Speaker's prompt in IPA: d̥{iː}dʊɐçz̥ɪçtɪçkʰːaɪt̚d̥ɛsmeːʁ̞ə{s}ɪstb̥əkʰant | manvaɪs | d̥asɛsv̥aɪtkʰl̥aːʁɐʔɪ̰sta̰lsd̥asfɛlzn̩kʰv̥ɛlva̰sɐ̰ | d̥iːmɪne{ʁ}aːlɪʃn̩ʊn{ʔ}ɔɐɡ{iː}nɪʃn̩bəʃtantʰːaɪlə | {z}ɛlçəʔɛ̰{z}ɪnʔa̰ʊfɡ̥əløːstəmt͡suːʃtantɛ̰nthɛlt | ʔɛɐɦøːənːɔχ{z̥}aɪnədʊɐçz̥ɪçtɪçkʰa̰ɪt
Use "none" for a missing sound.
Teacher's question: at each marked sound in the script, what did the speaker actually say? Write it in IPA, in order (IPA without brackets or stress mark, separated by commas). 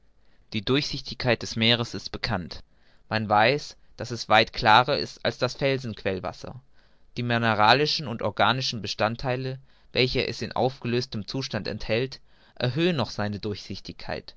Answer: iː, s, ʁ, t, aː, v, s, z̥